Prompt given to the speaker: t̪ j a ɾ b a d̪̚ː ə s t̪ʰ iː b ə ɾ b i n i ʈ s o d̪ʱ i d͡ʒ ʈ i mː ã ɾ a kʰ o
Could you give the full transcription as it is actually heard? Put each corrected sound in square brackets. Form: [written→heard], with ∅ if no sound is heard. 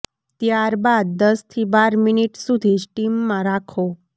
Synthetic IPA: t̪ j a ɾ b a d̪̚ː ə s t̪ʰ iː b [ə→a] ɾ [b→m] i n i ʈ s [o→u] d̪ʱ i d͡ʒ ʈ i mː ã ɾ a kʰ o